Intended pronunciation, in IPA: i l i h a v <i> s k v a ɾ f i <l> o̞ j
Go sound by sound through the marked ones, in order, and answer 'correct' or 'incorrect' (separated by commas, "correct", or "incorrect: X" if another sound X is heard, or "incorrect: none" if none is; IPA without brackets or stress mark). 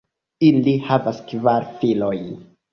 incorrect: a, correct